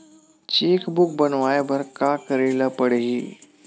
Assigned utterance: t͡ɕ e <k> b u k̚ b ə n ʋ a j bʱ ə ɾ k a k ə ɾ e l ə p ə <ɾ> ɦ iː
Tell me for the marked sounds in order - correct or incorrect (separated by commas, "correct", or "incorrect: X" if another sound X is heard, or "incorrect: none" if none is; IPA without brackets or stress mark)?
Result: correct, incorrect: ɽ